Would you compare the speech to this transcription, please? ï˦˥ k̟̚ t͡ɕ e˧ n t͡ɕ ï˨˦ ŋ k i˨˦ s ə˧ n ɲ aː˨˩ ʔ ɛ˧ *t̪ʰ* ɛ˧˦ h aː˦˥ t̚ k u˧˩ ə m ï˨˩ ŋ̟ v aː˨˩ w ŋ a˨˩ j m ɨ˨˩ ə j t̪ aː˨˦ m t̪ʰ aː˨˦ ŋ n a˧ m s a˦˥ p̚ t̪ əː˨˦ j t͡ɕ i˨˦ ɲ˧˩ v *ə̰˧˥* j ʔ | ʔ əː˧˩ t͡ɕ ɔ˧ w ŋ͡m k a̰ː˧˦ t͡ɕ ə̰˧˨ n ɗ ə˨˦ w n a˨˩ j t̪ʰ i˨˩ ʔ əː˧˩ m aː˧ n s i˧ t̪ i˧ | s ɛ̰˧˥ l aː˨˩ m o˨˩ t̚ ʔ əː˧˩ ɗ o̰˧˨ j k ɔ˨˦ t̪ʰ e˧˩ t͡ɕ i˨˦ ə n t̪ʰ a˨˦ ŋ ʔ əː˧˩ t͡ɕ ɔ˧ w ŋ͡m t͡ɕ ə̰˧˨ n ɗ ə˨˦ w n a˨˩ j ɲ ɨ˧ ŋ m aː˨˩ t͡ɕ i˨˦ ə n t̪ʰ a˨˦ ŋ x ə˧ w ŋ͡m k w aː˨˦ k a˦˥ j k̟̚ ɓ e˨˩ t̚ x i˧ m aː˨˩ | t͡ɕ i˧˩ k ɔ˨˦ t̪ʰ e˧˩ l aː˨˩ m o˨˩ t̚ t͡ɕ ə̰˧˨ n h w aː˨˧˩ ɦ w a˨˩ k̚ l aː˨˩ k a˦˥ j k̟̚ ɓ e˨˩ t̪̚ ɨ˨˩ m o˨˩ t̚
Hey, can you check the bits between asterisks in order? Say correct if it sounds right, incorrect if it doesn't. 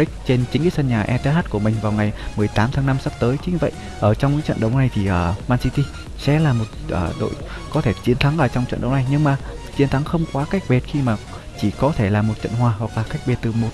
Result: incorrect: t̪, incorrect: ə̰˧˨

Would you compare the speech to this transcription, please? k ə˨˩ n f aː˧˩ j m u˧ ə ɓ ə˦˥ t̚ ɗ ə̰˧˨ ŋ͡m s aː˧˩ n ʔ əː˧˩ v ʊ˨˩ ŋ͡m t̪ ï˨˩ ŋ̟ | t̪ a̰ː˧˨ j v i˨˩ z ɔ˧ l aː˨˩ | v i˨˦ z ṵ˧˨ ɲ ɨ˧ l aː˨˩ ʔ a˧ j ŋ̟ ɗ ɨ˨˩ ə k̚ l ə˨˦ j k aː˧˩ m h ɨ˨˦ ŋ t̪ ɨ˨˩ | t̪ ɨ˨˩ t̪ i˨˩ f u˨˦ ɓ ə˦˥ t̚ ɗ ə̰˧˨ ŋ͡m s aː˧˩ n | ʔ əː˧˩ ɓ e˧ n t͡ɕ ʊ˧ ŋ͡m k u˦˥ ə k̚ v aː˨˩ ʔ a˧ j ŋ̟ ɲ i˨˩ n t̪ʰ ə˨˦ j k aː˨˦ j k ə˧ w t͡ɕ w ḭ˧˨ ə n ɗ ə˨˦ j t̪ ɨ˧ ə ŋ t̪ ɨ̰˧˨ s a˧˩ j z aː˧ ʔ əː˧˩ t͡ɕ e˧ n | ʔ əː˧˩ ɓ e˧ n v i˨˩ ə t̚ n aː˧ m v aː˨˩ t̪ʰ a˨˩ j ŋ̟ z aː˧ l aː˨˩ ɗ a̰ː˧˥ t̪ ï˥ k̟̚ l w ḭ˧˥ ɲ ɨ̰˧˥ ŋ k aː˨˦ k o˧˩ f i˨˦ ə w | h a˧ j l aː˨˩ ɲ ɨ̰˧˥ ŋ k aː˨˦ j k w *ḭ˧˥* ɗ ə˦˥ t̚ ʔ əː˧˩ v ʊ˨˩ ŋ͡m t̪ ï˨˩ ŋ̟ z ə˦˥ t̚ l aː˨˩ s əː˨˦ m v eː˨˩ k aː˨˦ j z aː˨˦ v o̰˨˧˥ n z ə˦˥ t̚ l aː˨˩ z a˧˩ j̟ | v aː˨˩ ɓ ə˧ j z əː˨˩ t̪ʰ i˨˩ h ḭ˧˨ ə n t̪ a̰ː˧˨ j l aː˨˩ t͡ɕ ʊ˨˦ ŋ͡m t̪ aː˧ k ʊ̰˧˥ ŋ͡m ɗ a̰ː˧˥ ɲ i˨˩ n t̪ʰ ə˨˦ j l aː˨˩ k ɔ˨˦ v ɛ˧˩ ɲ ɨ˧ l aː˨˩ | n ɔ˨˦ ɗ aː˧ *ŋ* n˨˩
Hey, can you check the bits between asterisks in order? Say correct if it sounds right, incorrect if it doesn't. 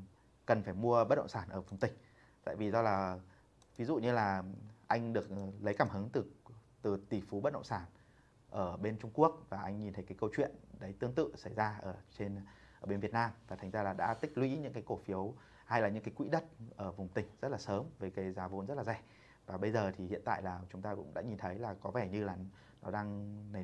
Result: correct, correct

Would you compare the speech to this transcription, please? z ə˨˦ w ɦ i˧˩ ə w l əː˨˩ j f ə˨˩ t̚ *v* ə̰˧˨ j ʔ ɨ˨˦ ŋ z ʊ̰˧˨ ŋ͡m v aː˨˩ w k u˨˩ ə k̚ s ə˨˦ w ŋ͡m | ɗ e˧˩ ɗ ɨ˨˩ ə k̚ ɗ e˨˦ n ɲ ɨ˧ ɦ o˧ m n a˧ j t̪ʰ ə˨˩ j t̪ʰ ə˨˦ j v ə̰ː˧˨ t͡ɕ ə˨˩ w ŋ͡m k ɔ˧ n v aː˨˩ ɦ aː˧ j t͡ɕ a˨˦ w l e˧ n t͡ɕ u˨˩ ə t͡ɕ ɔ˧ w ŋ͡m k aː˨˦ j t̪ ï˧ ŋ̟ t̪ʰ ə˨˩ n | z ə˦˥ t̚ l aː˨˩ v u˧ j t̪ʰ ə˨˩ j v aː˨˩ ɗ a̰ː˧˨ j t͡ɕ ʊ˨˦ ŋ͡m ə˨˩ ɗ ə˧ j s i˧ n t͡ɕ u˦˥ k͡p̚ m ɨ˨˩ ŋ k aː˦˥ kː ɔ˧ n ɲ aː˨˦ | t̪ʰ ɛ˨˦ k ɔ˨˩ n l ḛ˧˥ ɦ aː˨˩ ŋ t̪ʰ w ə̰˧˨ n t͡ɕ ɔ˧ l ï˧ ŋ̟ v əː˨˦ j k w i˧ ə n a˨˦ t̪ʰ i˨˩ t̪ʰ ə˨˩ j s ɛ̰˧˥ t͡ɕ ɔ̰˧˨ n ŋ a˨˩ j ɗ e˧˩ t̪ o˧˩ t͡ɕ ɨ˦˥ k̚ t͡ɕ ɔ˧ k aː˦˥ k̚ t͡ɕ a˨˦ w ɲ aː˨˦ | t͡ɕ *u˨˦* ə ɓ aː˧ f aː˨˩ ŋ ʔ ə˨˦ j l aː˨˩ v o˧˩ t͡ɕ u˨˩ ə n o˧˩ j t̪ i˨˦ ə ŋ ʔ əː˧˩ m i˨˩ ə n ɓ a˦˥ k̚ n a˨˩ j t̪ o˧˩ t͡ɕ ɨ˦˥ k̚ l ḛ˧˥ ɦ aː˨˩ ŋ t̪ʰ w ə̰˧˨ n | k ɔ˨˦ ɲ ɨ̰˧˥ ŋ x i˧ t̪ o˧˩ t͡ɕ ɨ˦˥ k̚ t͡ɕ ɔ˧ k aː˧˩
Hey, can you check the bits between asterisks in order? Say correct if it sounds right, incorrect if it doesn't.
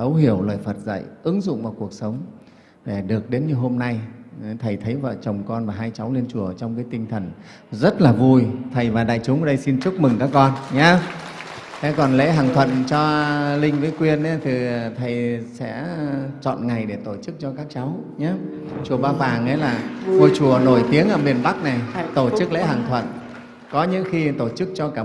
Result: incorrect: z, incorrect: u˨˩

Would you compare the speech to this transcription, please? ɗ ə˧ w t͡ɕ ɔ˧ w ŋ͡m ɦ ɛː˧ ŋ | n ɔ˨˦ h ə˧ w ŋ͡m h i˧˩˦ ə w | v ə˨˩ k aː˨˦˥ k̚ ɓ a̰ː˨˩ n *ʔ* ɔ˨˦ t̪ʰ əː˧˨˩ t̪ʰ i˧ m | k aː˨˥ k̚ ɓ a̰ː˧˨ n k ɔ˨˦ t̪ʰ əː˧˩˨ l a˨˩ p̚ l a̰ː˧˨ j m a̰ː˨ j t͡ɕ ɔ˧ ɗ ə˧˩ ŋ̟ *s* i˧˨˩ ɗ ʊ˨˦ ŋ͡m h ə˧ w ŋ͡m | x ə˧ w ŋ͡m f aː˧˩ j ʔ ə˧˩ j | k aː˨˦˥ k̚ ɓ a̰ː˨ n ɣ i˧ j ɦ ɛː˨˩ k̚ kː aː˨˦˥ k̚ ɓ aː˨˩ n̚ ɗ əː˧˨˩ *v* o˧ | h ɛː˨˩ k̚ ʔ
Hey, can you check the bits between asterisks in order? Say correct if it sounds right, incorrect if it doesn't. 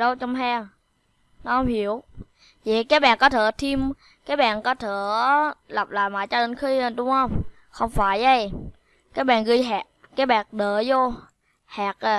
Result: incorrect: k, incorrect: x, incorrect: z

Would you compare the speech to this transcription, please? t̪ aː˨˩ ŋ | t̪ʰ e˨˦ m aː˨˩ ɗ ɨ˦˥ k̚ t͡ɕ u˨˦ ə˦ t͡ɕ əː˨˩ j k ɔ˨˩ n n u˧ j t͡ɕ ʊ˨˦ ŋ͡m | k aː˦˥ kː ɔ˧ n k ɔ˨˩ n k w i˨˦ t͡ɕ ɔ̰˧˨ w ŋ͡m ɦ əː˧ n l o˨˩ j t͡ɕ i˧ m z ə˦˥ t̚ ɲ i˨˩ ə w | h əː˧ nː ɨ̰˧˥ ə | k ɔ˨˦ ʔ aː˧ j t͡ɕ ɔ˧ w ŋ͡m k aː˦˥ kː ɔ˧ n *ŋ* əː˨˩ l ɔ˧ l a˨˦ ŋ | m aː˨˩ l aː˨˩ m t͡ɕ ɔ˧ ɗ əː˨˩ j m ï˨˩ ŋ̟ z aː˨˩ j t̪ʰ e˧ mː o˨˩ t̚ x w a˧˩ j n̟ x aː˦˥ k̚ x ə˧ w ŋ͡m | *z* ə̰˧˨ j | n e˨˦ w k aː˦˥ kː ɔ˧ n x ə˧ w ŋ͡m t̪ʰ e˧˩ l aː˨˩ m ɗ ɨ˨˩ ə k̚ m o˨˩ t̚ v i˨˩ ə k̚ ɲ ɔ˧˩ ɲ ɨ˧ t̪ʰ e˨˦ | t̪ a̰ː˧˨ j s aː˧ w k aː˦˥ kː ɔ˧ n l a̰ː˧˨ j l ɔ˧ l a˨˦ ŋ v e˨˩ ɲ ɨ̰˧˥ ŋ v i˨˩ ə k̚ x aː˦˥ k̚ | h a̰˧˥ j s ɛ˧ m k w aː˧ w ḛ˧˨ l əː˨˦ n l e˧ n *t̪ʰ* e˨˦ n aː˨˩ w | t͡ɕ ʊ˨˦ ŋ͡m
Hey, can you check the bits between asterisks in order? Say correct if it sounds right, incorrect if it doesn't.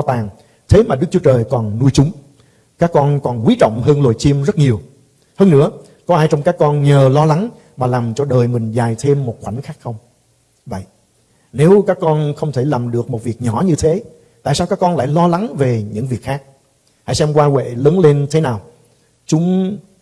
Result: incorrect: ɲ, incorrect: v, correct

